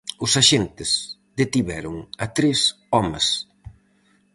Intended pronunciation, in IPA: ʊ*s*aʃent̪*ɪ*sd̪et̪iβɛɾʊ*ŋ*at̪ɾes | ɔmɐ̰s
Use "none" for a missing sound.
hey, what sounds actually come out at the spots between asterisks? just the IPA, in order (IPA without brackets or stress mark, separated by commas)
s, ɪ, ŋ